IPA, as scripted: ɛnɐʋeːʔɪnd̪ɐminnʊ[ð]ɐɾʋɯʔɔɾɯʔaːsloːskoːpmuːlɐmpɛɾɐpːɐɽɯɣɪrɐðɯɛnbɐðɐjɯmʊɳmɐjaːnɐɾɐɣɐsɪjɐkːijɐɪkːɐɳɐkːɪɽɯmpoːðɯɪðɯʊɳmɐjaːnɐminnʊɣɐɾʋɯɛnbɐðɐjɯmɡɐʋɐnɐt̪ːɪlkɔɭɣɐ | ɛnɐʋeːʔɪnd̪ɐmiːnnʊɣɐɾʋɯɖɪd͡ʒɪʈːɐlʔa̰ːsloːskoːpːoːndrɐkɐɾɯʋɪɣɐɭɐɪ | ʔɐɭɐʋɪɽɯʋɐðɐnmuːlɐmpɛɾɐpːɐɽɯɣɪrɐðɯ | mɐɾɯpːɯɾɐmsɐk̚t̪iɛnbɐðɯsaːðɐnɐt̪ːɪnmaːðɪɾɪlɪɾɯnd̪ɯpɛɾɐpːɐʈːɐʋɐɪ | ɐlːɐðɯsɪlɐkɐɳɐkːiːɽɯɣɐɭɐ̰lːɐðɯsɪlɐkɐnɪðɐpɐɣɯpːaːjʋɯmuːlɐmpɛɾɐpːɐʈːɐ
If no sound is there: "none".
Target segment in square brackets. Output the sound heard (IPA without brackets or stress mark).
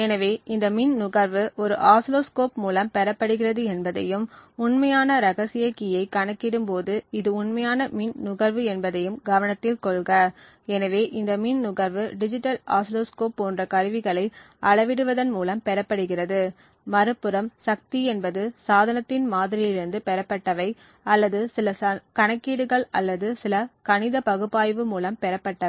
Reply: ɣ